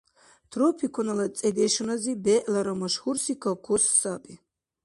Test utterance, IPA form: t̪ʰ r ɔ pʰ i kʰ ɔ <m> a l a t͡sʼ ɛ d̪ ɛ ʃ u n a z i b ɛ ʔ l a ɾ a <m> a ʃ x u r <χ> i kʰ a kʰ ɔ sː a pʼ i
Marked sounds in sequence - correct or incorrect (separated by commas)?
incorrect, correct, incorrect